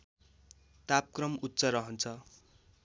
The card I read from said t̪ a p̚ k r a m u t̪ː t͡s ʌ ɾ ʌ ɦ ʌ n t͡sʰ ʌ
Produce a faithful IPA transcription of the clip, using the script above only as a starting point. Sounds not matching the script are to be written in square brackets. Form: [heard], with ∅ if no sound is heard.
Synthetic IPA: t̪ a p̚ k r [ʌ] m u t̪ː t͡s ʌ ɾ ʌ ɦ ʌ n t͡sʰ ʌ